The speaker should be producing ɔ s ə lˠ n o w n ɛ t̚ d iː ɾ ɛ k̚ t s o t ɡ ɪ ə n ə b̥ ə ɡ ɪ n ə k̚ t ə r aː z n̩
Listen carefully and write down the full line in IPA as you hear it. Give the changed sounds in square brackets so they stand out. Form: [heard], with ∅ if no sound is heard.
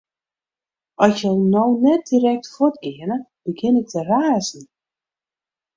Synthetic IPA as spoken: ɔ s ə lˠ n o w n ɛ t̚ d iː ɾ ɛ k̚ t [f] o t ɡ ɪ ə n ə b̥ ə ɡ ɪ n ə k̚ t ə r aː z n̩